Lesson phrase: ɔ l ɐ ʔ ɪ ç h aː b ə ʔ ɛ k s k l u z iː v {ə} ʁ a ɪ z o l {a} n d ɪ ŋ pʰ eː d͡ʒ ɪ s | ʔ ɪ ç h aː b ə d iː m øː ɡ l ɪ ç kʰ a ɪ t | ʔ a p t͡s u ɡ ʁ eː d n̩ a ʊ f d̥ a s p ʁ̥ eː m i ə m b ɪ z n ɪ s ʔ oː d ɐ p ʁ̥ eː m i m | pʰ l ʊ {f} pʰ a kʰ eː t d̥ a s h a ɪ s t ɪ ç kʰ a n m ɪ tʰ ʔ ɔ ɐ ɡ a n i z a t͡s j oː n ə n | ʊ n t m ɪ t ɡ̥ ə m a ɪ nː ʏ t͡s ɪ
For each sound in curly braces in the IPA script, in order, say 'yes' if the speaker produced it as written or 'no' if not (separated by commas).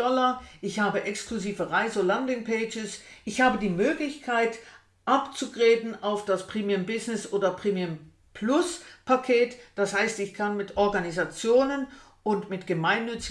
yes, yes, no